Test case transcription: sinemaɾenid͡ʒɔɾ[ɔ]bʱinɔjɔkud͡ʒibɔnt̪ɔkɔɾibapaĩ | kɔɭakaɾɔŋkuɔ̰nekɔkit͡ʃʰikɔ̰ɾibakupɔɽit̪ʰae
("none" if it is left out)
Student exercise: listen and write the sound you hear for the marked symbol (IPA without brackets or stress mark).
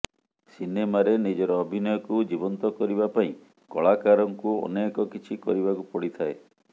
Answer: ɔː